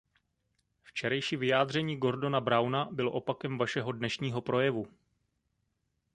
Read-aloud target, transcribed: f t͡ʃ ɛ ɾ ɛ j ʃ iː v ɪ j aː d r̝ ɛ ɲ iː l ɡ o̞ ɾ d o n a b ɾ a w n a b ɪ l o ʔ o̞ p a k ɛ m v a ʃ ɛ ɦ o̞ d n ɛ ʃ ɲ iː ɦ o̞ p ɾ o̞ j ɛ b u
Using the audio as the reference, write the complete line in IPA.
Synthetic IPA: f t͡ʃ ɛ ɾ ɛ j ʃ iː v ɪ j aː d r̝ ɛ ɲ iː ɡ o̞ ɾ d o n a b ɾ a w n a b ɪ l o ʔ o̞ p a k ɛ m v a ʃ ɛ ɦ o̞ d n ɛ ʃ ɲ iː ɦ o̞ p ɾ o̞ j ɛ v u